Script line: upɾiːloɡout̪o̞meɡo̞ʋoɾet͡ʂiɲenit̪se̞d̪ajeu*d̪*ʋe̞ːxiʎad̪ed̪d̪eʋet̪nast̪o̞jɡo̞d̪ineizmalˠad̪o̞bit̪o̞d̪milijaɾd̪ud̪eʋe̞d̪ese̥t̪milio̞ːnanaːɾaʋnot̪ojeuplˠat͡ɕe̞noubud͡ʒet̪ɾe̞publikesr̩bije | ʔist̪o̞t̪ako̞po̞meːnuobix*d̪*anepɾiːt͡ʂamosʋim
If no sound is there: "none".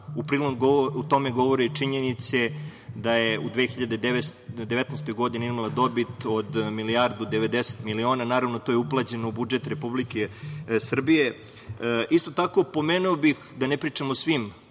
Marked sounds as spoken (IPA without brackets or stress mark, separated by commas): d̪, d̪